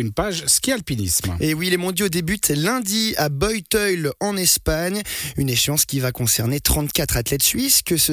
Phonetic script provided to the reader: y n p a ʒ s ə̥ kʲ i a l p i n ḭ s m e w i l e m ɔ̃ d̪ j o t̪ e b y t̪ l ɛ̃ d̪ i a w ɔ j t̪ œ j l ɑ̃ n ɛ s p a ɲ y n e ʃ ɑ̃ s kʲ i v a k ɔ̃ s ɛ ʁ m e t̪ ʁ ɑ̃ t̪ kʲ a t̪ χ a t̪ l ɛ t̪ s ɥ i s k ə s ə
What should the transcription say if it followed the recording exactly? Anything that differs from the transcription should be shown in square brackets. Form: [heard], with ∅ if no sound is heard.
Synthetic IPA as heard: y n p a ʒ s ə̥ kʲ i a l p i n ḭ s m e w i l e m ɔ̃ d̪ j o [d̪] e b y t̪ l ɛ̃ d̪ i a [b] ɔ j t̪ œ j l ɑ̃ n ɛ s p a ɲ y n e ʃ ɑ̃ s kʲ i v a k ɔ̃ s ɛ ʁ [n] e t̪ [χ] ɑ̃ t̪ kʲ a t̪ χ a t̪ l ɛ t̪ s ɥ i s k ə s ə